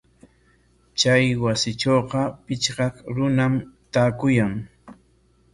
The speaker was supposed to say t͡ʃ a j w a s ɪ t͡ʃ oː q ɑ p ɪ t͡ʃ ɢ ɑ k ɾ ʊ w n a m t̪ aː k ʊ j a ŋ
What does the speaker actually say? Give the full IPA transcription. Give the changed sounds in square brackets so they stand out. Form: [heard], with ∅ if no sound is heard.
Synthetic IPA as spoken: t͡ʃ a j w a s ɪ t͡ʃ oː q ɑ p ɪ t͡ʃ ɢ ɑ k ɾ ʊ [∅] n a m t̪ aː k ʊ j a ŋ